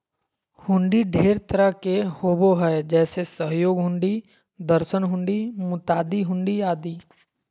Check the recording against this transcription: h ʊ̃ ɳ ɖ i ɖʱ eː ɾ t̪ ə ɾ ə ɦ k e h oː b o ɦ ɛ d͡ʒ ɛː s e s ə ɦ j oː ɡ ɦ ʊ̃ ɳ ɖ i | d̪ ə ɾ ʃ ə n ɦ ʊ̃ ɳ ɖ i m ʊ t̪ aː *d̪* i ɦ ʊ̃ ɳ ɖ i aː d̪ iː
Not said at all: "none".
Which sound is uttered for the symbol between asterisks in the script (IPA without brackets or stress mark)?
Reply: d̪